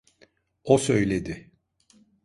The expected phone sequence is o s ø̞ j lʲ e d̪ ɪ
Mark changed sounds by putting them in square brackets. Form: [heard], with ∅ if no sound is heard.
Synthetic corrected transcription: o s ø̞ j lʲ e d̪ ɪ